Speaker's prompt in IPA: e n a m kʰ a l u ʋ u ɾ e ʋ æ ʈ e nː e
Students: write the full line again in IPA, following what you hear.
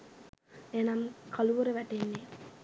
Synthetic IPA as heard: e n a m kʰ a l u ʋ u ɾ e ʋ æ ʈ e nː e